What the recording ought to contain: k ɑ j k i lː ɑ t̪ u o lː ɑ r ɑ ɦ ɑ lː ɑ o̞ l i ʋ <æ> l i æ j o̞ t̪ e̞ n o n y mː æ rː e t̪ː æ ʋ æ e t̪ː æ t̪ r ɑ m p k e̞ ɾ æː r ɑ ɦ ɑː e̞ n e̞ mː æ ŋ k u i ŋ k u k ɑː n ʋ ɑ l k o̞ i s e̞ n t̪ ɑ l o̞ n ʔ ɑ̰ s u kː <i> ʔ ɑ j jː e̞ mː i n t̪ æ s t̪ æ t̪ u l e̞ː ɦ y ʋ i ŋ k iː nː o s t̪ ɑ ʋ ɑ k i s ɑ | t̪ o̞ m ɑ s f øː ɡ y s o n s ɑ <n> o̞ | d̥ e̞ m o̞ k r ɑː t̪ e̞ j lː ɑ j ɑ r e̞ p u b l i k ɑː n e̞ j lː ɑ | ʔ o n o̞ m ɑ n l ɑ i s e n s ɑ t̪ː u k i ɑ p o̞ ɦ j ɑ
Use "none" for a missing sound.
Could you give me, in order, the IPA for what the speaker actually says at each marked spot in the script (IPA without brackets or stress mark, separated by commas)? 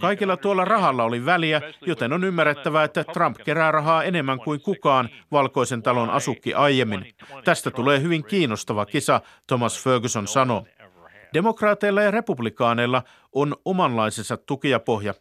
æ, i, n